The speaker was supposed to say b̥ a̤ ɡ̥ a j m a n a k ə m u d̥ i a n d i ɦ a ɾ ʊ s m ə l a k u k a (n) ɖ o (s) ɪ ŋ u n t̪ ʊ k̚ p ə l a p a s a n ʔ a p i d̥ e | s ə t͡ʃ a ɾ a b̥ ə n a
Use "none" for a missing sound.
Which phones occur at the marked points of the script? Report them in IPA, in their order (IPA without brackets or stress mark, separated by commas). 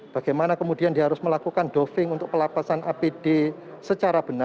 n, f